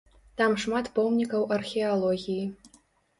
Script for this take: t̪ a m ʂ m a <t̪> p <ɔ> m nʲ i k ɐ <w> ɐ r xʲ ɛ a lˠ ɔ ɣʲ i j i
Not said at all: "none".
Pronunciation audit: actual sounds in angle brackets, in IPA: t̪, ɔ, w

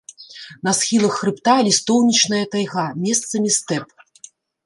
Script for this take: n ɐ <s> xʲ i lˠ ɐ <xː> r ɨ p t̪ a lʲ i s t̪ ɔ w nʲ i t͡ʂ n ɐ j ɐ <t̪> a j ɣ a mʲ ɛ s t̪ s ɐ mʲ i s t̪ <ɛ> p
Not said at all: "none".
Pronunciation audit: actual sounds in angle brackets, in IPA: s, xː, t̪, ɛ

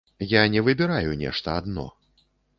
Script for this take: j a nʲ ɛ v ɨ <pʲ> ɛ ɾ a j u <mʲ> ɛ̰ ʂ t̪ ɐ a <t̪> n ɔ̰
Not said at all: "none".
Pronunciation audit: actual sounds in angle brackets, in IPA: bʲ, nʲ, d̪

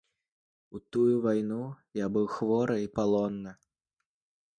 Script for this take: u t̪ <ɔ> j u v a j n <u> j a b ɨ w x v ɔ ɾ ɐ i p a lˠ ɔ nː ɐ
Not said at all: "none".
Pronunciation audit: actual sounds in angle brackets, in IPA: u, u

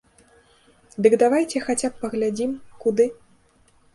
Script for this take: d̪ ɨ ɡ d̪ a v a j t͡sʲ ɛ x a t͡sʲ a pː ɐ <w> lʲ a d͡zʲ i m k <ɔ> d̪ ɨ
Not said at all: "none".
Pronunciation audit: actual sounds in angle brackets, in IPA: ɣ, u

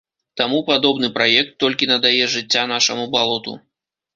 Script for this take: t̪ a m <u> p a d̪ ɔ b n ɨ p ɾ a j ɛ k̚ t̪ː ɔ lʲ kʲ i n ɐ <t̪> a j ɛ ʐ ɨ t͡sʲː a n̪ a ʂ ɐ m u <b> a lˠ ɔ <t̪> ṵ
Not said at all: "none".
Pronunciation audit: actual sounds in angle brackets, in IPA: u, d̪, b, t̪

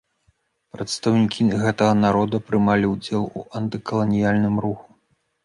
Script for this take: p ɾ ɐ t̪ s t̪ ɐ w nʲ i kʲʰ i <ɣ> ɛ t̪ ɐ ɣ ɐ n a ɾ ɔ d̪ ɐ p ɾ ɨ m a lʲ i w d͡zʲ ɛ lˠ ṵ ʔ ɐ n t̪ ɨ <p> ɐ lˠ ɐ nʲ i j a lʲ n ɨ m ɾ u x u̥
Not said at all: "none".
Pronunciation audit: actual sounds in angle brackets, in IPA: ɣ, k

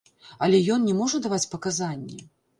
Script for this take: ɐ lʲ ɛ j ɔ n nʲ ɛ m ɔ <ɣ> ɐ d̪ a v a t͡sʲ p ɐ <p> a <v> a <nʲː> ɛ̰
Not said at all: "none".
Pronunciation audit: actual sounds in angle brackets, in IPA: ʐ, k, z, nʲː

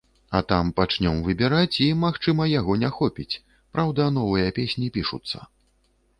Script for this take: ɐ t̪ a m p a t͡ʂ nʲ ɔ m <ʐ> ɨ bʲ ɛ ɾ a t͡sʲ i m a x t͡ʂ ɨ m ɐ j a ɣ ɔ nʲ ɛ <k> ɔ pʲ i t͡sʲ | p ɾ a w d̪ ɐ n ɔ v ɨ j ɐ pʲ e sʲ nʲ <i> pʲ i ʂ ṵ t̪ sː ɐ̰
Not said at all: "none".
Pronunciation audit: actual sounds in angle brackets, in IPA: v, x, i

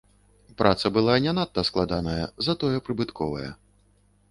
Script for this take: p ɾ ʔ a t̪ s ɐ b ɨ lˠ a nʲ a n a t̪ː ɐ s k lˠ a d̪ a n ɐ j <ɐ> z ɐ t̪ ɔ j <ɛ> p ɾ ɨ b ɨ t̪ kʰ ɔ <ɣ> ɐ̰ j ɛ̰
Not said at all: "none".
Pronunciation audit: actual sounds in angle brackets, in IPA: ɐ, ɛ, v

